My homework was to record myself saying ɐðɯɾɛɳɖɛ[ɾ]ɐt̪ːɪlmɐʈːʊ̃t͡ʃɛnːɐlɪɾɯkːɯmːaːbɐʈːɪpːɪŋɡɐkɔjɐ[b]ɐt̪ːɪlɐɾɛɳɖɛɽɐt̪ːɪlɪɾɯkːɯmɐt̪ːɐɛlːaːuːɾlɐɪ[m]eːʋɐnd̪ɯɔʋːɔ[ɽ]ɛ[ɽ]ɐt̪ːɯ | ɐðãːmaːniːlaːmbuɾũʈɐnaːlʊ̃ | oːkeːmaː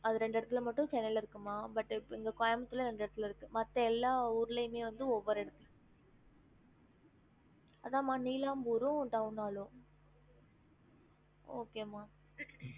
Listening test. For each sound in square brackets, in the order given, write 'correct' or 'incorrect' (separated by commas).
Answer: incorrect, incorrect, correct, incorrect, correct